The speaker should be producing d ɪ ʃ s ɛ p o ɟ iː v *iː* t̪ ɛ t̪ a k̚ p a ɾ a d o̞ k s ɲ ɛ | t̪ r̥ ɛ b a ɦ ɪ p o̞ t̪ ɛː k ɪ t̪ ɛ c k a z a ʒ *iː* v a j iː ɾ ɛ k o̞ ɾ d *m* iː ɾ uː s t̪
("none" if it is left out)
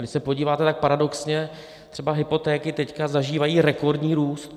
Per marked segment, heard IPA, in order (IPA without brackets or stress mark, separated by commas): aː, iː, ɲ